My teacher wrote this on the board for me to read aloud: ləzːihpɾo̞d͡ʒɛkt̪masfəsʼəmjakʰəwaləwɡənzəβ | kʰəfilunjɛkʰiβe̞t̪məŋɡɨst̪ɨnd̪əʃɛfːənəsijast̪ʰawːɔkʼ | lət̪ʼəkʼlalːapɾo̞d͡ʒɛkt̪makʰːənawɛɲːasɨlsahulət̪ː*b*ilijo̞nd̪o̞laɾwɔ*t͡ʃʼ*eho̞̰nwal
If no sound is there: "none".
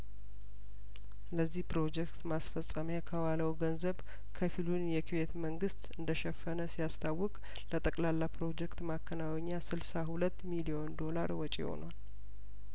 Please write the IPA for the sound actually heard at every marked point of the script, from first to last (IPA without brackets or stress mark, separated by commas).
m, t͡ʃʼ